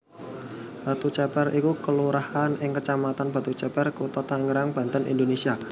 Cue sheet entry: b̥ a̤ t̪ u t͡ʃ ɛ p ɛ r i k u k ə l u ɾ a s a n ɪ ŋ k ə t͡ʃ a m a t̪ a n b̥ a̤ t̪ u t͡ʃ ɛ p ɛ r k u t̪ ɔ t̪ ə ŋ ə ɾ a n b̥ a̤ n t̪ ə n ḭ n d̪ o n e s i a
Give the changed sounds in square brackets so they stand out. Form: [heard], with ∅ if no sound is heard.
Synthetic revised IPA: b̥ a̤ t̪ u t͡ʃ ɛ p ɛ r i k u k ə l u ɾ a [h] a n ɪ ŋ k ə t͡ʃ a m a t̪ a n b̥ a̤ t̪ u t͡ʃ ɛ p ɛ r k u t̪ ɔ t̪ [a] ŋ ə ɾ a [ŋ] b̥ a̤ n t̪ ə n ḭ n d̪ o n e s i a